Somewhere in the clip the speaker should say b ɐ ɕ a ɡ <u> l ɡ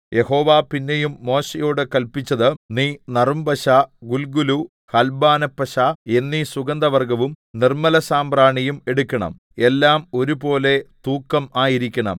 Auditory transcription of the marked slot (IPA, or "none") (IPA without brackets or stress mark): u